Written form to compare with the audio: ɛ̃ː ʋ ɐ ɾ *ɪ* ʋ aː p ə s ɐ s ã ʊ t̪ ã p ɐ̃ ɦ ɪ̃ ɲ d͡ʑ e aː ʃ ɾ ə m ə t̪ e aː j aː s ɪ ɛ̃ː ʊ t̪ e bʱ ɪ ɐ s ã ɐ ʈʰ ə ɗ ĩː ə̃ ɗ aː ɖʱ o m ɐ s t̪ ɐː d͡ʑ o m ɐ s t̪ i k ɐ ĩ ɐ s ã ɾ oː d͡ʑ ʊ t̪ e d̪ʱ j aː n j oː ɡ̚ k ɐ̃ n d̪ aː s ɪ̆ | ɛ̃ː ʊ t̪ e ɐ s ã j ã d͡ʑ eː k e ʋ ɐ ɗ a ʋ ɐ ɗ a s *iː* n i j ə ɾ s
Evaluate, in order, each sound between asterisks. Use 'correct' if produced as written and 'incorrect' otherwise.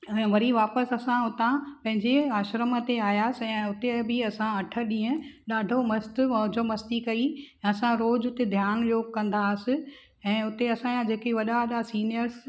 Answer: incorrect, correct

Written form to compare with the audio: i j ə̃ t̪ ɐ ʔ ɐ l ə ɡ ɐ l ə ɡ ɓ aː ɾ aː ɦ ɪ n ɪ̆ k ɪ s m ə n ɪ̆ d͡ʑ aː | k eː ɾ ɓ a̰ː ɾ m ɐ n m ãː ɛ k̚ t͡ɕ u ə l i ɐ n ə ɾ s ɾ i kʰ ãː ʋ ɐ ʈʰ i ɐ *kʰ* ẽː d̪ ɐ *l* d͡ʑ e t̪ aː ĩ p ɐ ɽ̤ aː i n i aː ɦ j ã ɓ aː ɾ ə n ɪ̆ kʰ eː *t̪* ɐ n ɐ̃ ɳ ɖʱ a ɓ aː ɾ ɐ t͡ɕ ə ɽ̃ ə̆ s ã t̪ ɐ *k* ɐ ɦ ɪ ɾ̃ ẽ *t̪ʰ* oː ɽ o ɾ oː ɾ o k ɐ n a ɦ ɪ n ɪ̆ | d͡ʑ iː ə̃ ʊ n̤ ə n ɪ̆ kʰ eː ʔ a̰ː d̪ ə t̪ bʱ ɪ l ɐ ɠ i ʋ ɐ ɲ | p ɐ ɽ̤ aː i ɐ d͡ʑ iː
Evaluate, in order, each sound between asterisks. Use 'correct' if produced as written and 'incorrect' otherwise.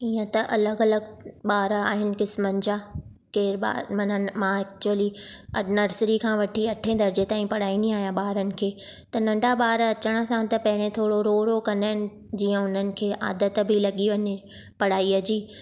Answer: incorrect, incorrect, correct, incorrect, correct

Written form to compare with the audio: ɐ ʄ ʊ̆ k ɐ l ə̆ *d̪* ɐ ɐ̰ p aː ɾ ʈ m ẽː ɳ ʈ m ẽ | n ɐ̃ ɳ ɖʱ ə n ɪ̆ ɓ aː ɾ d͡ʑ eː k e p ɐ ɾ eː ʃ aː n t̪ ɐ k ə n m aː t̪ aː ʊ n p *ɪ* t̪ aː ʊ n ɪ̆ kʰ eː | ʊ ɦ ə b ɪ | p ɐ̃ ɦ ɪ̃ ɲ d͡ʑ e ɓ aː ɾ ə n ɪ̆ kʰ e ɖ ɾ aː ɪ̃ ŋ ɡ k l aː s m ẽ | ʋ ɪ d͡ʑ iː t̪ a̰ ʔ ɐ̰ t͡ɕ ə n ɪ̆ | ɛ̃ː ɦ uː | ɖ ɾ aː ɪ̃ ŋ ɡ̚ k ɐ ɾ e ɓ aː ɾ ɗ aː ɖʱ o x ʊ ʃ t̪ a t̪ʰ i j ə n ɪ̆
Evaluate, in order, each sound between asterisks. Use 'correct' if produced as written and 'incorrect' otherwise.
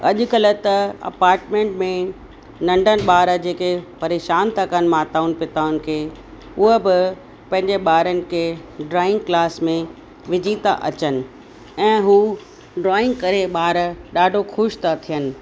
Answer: incorrect, correct

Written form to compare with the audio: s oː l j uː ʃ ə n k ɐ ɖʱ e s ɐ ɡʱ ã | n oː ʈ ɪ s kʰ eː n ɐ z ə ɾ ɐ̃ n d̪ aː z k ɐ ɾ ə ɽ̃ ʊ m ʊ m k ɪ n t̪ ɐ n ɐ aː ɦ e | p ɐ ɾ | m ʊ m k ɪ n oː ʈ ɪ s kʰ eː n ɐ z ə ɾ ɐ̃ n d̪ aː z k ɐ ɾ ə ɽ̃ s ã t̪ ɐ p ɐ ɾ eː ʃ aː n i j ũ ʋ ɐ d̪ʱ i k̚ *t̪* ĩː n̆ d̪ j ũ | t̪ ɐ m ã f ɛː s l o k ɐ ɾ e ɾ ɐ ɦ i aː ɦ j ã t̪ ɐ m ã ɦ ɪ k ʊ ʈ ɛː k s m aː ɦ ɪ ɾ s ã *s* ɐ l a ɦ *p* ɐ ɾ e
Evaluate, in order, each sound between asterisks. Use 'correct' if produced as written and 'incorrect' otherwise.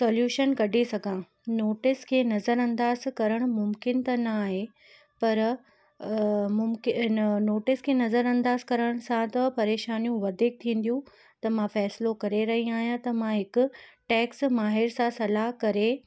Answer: incorrect, correct, incorrect

